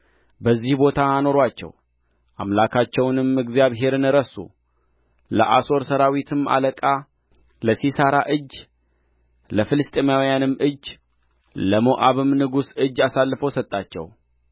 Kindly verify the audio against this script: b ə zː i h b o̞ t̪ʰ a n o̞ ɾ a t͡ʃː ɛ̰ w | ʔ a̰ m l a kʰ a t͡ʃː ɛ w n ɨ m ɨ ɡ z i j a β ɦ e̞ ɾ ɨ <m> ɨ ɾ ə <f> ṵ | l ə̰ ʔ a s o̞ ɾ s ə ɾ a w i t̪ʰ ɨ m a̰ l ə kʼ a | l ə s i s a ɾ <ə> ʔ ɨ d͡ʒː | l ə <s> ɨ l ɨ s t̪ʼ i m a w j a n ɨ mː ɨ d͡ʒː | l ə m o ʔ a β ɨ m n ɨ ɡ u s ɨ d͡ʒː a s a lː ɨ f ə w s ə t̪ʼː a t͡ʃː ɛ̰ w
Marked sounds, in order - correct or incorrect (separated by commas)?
incorrect, incorrect, incorrect, incorrect